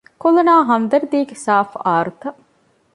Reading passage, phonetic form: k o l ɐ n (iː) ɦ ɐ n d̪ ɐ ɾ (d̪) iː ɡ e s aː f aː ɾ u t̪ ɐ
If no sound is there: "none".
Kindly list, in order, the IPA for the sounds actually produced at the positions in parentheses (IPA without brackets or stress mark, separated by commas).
aː, d̪